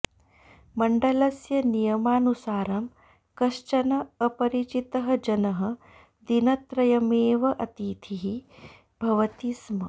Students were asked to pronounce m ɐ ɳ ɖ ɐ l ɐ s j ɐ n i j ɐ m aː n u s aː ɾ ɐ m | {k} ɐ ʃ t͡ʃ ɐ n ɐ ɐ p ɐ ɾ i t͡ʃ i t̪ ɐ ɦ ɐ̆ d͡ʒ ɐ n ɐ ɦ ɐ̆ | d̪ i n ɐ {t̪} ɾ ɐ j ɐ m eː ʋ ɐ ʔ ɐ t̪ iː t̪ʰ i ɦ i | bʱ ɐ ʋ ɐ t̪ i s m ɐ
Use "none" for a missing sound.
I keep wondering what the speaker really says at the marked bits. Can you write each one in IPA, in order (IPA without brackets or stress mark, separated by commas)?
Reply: k, t̪